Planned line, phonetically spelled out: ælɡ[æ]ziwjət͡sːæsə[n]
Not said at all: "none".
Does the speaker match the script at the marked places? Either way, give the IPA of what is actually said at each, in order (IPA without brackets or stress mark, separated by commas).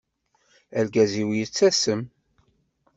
æ, m